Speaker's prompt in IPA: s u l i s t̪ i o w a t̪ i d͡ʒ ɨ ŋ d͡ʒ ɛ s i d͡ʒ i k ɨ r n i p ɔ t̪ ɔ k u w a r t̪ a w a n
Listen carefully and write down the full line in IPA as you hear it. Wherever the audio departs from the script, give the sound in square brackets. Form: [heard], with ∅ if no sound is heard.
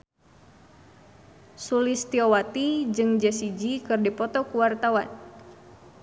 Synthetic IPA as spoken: s u l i s t̪ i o w a t̪ i d͡ʒ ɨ ŋ d͡ʒ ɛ s i d͡ʒ i k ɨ r [d] i p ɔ t̪ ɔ k u w a r t̪ a w a n